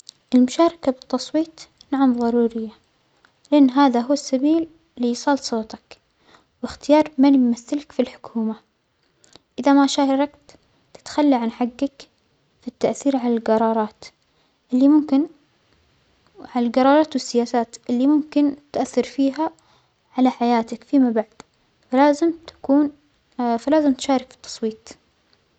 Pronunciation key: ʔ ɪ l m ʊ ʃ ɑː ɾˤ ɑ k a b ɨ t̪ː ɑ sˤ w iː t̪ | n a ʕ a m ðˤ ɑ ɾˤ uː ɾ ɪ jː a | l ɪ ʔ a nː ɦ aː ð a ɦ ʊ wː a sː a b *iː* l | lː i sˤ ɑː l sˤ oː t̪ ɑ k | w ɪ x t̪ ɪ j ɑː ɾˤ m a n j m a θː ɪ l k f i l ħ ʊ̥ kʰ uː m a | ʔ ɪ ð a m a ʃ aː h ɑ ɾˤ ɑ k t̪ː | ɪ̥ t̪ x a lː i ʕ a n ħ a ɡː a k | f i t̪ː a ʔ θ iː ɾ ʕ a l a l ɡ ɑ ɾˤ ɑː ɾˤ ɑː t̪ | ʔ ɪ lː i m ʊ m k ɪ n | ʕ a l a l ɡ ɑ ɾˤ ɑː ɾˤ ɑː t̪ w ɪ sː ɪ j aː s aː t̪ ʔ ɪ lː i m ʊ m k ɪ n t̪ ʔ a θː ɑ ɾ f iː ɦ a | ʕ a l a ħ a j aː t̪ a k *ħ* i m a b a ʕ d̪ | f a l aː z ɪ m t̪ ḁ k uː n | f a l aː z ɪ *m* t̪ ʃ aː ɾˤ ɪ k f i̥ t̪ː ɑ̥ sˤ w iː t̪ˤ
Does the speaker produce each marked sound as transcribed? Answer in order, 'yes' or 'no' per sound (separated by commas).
yes, no, yes